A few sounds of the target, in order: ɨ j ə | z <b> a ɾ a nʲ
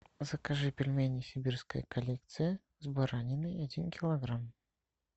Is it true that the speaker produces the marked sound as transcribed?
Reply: yes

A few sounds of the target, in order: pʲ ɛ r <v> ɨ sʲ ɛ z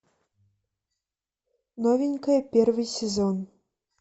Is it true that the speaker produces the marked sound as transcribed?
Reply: yes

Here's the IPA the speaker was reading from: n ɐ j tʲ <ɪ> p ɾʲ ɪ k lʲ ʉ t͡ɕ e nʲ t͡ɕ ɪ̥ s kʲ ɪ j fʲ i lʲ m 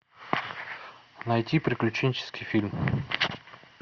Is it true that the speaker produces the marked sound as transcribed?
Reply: no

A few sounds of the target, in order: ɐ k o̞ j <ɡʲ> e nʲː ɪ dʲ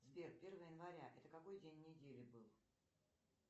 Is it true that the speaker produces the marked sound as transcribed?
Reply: no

